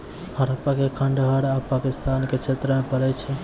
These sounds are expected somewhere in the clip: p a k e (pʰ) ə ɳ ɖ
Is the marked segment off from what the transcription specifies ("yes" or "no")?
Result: yes